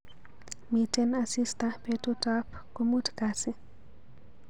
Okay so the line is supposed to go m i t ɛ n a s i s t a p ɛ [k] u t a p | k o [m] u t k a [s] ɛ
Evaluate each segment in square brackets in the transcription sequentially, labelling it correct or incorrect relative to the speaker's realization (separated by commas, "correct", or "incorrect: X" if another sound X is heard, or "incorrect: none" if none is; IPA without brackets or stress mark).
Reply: incorrect: t, correct, correct